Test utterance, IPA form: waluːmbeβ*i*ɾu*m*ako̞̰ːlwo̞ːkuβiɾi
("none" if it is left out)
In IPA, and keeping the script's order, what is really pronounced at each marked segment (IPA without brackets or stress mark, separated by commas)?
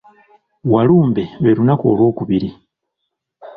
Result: e, n